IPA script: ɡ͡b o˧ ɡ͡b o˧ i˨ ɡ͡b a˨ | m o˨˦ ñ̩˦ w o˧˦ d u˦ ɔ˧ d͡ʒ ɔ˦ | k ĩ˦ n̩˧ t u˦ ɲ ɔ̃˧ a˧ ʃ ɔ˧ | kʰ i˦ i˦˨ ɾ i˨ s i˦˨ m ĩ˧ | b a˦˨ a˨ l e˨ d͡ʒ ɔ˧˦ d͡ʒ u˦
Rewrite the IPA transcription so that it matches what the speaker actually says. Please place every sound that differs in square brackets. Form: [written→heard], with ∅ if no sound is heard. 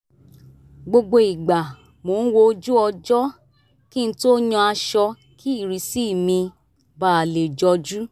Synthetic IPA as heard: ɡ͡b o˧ ɡ͡b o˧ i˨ ɡ͡b a˨ | m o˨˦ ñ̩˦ w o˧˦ [d→d͡ʒ] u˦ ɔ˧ d͡ʒ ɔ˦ | k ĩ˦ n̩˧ t [u˦→o˦] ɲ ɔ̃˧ a˧ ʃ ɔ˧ | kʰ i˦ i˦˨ ɾ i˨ s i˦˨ m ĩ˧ | b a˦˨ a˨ l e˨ d͡ʒ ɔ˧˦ d͡ʒ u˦